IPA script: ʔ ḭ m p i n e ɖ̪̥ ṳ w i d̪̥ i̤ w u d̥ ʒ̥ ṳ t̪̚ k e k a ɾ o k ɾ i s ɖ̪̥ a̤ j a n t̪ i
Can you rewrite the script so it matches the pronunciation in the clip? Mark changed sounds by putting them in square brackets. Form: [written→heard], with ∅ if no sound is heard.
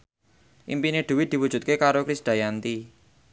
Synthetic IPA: ʔ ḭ m p i n e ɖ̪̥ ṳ w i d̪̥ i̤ w u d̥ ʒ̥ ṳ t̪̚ k e k a ɾ o k ɾ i s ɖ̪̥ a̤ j a n t̪ i